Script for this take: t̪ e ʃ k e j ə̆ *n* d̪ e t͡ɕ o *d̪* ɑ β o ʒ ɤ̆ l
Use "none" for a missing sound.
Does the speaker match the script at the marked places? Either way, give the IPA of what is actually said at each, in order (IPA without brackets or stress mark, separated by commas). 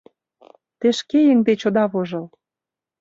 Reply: ŋ, d̪